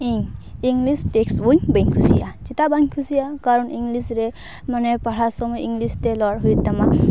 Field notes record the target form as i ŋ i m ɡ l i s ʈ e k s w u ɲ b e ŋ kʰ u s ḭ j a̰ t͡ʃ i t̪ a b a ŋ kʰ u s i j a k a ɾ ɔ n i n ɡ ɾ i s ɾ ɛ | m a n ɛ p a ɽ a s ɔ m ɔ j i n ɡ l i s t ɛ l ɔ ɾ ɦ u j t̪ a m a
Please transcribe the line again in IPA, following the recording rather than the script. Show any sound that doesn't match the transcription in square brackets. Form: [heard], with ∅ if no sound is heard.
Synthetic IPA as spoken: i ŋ i [ŋ] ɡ l i s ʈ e k s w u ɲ b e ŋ kʰ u s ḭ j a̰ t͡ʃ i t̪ a b a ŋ kʰ u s i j a k a ɾ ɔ n i [ŋ] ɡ [l] i s ɾ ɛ | m a n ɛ p a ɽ a s ɔ m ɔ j i [ŋ] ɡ l i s t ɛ l ɔ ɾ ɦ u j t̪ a m a